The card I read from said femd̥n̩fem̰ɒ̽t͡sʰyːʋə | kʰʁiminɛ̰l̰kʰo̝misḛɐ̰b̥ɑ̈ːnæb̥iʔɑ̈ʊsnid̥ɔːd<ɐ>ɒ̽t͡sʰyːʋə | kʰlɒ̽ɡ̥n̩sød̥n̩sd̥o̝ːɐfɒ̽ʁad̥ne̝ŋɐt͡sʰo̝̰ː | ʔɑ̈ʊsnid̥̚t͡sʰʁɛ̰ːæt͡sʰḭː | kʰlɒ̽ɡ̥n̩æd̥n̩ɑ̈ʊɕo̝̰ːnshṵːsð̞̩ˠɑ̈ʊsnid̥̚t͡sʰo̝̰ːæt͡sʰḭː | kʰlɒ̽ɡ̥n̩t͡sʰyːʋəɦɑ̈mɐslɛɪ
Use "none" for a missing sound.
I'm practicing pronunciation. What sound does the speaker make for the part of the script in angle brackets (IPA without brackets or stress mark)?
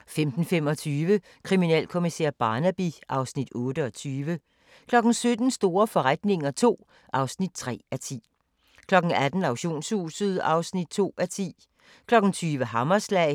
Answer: ə